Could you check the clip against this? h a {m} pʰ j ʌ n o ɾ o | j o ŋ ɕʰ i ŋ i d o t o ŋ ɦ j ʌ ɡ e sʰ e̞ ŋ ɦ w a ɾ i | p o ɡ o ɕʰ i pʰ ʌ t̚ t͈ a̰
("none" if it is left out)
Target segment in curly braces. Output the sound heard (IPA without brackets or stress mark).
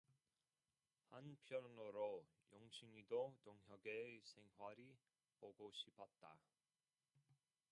n